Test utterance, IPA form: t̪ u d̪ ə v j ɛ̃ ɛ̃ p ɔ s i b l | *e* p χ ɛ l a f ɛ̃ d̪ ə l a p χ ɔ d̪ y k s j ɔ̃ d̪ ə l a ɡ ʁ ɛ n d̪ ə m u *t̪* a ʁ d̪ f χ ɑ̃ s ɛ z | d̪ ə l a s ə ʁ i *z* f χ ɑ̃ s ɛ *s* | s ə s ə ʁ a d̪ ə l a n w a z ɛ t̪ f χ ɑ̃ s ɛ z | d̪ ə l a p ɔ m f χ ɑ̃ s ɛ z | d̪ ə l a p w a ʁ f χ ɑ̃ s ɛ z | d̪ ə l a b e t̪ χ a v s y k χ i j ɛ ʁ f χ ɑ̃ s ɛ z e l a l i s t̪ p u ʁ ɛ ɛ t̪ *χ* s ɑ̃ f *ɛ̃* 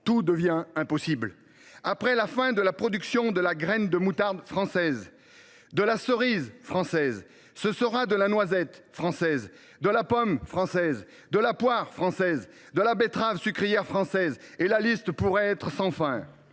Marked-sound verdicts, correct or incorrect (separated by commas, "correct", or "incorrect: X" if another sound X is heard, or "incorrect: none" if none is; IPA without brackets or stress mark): incorrect: a, correct, correct, incorrect: z, correct, correct